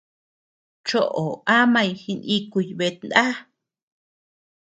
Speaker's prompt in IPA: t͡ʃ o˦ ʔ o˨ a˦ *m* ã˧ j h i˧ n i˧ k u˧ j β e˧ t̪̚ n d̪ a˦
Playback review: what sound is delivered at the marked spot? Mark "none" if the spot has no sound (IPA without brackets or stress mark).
m